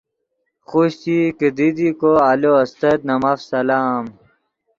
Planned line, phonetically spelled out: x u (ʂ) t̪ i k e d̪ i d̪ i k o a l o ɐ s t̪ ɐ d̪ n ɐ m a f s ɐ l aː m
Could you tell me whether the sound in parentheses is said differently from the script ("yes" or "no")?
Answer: yes